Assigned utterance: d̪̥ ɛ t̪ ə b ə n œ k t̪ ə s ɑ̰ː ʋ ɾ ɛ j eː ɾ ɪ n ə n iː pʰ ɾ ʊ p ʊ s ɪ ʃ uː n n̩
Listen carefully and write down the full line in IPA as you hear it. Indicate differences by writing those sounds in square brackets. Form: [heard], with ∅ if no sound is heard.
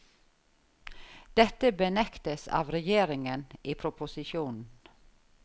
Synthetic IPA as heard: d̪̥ ɛ t̪ ə b ə n [ɛ] k t̪ ə s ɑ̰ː ʋ ɾ ɛ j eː ɾ ɪ [ŋ] ə n iː pʰ ɾ ʊ p ʊ s ɪ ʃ uː n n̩